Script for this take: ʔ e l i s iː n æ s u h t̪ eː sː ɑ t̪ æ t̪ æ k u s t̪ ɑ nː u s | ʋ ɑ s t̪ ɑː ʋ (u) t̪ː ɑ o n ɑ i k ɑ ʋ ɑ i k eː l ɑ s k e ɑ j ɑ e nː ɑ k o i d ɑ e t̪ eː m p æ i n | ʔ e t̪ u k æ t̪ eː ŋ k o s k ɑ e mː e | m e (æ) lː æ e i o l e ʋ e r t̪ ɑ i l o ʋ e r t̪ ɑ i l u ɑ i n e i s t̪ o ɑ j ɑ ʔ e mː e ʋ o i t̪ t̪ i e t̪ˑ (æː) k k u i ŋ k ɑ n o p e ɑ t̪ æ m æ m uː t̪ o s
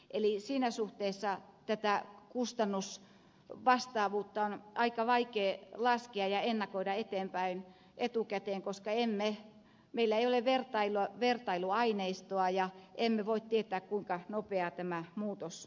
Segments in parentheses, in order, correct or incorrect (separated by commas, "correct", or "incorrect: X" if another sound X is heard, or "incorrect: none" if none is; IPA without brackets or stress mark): incorrect: uː, incorrect: i, correct